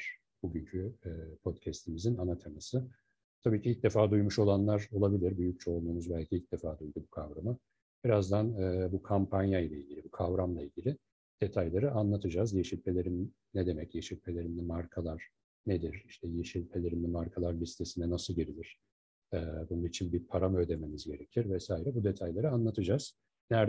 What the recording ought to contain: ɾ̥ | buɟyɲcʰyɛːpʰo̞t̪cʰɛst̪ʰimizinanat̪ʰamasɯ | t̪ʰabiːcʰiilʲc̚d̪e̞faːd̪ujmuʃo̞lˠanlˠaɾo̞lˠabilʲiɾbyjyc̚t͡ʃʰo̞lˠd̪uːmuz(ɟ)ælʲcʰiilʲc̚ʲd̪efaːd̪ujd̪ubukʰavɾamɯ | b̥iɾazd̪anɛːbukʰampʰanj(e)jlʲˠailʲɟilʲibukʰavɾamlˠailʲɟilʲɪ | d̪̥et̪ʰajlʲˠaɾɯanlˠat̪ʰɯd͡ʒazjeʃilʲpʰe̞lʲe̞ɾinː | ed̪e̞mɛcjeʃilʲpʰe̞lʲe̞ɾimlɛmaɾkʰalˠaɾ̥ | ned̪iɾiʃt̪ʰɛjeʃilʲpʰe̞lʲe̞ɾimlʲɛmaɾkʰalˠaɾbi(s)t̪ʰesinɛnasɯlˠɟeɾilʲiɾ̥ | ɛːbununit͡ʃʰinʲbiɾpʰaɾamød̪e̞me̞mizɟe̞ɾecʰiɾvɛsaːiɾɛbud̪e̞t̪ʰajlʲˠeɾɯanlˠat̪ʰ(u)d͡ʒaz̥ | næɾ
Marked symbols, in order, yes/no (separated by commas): no, no, yes, no